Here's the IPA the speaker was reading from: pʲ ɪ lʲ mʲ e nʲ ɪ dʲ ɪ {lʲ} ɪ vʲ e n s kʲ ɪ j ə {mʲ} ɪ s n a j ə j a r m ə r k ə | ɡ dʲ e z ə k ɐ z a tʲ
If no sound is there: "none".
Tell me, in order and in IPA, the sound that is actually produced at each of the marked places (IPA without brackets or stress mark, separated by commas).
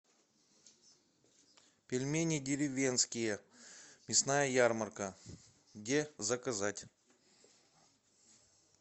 ɾʲ, mʲ